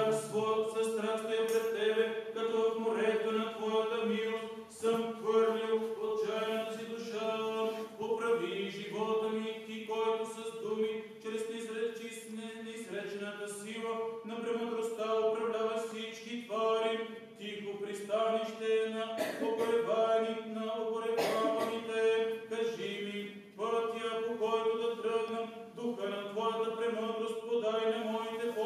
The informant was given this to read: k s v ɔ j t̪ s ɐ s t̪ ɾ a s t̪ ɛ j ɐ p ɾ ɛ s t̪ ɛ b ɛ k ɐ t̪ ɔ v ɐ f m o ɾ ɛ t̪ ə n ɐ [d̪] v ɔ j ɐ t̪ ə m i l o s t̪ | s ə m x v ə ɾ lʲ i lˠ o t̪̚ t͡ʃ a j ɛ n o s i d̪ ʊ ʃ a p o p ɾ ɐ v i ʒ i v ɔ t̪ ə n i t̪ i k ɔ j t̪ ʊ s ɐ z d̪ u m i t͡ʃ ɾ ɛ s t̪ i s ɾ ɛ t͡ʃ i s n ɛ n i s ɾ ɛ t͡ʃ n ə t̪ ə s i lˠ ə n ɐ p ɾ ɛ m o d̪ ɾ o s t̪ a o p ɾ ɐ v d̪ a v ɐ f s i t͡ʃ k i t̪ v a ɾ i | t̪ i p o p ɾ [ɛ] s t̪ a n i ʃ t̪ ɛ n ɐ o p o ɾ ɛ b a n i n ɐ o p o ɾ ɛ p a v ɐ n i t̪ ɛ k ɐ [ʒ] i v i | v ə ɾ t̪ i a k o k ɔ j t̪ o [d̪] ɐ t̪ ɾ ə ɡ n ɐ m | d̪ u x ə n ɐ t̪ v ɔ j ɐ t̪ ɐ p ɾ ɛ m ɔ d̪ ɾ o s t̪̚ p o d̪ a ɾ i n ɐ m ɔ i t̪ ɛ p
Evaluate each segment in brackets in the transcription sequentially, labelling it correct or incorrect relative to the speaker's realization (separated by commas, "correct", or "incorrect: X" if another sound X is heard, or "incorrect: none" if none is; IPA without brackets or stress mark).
incorrect: t̪, incorrect: i, correct, correct